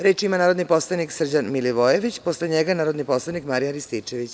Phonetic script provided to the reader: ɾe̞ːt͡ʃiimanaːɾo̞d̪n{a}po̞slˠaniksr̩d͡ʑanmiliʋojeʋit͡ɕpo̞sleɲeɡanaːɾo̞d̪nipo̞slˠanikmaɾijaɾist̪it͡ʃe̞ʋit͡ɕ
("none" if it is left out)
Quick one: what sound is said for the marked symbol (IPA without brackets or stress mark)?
i